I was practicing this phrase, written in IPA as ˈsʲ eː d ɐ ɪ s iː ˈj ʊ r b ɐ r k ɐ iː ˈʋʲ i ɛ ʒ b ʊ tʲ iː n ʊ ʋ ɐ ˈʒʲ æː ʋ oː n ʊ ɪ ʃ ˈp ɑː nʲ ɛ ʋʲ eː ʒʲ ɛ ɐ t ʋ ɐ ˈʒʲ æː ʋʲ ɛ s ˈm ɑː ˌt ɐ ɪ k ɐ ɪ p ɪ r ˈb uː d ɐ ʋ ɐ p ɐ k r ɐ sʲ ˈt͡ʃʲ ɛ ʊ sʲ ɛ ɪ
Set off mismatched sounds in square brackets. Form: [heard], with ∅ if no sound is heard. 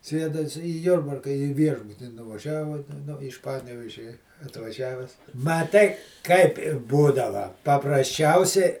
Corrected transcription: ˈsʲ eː d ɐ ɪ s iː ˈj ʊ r b ɐ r k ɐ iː ˈʋʲ i ɛ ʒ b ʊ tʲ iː n ʊ ʋ ɐ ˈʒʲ æː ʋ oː n ʊ ɪ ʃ ˈp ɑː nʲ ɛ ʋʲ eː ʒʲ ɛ ɐ t ʋ ɐ ˈʒʲ æː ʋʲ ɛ s ˈm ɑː ˌt ɐ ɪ k ɐ ɪ p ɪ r ˈb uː d ɐ ʋ ɐ p ɐ [p] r ɐ sʲ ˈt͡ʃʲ ɛ ʊ sʲ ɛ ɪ